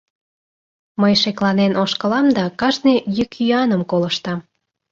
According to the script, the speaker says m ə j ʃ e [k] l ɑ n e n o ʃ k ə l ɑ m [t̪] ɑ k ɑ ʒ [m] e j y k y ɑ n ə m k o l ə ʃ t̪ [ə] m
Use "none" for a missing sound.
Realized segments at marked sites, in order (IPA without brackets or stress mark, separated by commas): k, d̪, n, ɑ